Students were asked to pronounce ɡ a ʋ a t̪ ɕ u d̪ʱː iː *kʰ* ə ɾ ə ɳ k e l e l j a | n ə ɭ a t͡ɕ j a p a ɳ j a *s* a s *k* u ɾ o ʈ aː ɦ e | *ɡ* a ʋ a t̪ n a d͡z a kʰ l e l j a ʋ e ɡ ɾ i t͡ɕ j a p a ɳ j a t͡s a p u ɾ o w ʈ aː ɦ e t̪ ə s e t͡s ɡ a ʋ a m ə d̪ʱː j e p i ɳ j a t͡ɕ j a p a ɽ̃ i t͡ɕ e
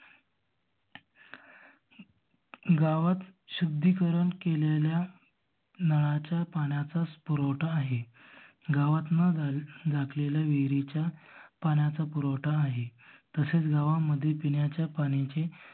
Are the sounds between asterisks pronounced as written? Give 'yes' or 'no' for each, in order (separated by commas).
no, no, no, yes